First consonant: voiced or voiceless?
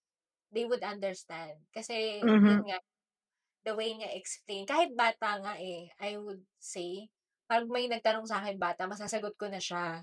voiced